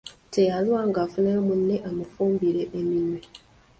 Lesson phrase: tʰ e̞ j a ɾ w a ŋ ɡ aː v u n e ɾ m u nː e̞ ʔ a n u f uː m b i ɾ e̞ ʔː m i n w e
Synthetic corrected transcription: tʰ e̞ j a l w a ŋ ɡ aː f u n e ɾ m u nː e̞ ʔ a m u f uː m b i ɾ e̞ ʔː m i n w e

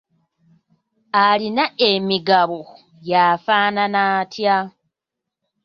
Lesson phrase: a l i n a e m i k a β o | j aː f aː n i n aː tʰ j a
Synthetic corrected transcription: a l i n a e m i ɡ a β o | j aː f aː n a n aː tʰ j a

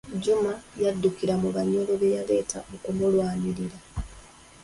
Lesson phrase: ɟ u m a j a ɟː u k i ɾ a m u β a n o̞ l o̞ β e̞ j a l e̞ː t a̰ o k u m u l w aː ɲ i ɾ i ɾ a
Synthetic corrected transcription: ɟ u m a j a dː u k i ɾ a m u β a ɲ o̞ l o̞ β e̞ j a l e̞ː t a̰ o k u m u l w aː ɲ i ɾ i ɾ a

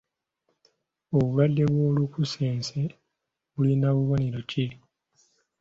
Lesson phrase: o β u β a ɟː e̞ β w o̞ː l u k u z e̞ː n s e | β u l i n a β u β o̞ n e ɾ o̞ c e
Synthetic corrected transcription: o β u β a dː e̞ β w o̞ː l u k u s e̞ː n s e | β u l i n a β u β o̞ n e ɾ o̞ c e

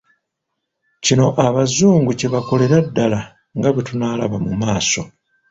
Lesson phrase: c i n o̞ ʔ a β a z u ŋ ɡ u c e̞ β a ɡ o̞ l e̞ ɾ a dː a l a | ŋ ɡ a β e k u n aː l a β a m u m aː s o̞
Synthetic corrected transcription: c i n o̞ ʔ a β a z uː ŋ ɡ u c e̞ β a k o̞ l e̞ ɾ a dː a l a | ŋ ɡ a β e t u n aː l a β a m u m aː s o̞

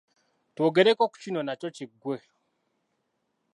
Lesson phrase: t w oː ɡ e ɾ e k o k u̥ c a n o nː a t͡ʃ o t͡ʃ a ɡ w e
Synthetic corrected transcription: t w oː ɡ e ɾ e k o k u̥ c i n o n a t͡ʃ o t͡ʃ i ɡ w e

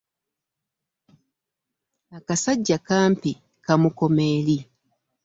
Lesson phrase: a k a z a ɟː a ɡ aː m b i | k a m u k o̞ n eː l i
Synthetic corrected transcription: a k a s a ɟː a k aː m p i | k a m u k o̞ m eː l i

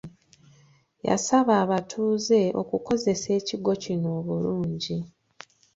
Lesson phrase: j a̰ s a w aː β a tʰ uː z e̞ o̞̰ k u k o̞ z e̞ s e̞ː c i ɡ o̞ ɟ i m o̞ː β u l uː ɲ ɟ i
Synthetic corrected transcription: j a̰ s a β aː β a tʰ uː z e̞ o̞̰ k u k o̞ z e̞ s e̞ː c i ɡ o̞ c i n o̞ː β u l uː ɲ ɟ i

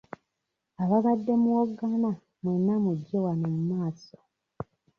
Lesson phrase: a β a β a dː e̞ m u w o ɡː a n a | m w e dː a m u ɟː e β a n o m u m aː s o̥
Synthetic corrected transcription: a β a β a dː e̞ m u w o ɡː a n a | m w e nː a m u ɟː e w a n o m u m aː s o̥

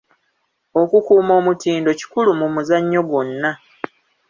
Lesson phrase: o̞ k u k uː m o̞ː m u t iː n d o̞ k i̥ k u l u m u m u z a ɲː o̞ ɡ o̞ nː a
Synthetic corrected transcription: o̞ k u k uː m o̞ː m u t iː n d o̞ c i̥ k u l u m u m u z a ɲː o̞ ɡ o̞ nː a

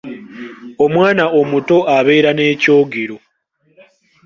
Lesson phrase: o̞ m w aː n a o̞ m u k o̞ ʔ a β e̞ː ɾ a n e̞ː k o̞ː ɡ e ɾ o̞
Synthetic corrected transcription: o̞ m w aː n a o̞ m u t o̞ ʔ a β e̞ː ɾ a n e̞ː c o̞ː ɡ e ɾ o̞

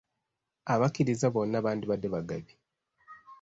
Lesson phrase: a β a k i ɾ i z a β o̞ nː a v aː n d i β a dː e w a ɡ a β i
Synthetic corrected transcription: a β a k i ɾ i z a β o̞ nː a β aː n d i β a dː e β a ɡ a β i

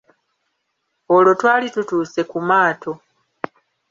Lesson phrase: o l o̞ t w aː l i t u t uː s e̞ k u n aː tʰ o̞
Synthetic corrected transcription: o l o̞ t w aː l i t u t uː s e̞ k u m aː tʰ o̞

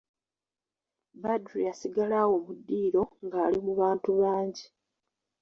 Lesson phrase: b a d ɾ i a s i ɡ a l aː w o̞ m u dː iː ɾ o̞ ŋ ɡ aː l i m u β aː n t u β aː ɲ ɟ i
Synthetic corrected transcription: b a d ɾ i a s i ɡ a l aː w o̞ m u dː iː ɾ o̞ ŋ ɡ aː l i m u β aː n t u β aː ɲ ɟ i

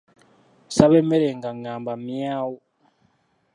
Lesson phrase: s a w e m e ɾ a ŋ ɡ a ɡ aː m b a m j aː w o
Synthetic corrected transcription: s a β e m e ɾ e ŋ ɡ a ŋ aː m b a m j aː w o

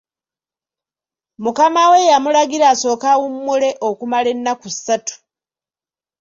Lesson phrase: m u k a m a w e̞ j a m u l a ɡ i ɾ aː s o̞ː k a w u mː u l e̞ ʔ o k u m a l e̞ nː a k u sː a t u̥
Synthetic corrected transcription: m u k a m a w e̞ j a m u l a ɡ i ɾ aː s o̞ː k a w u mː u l e̞ ʔ o k u m a l e̞ nː a k u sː a t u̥

